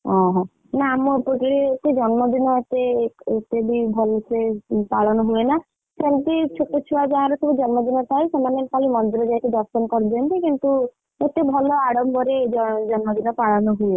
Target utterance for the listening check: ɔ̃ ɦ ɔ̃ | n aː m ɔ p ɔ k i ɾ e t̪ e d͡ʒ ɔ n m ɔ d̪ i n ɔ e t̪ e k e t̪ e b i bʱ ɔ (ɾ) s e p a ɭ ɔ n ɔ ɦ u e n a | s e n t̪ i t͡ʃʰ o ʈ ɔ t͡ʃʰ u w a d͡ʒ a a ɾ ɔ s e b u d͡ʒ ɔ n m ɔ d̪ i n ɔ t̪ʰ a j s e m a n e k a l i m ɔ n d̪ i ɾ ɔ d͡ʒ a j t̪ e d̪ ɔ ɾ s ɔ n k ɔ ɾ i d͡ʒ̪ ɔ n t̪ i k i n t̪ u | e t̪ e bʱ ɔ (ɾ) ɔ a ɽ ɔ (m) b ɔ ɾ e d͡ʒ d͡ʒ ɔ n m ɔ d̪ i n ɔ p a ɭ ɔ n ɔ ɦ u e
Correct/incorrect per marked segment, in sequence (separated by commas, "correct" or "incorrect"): incorrect, incorrect, correct